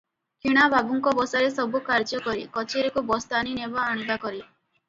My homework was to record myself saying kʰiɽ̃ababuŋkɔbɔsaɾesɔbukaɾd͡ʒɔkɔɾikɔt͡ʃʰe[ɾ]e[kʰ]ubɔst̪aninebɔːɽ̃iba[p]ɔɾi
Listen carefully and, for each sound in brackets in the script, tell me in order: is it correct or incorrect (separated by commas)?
correct, incorrect, incorrect